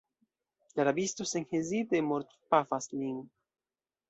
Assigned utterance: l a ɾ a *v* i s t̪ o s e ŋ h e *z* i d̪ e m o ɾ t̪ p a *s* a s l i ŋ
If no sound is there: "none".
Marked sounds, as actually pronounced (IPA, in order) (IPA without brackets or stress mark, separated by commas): b, z, f